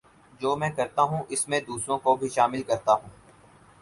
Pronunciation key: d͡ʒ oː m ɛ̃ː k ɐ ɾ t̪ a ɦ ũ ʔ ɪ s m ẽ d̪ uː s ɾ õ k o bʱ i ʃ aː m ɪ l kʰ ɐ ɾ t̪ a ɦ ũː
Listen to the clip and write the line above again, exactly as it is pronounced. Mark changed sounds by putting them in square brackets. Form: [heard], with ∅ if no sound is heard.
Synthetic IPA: d͡ʒ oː m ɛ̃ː k ɐ ɾ t̪ a ɦ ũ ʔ ɪ s m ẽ d̪ uː s ɾ õ k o bʱ i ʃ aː m ɪ l [k] ɐ ɾ t̪ a ɦ ũː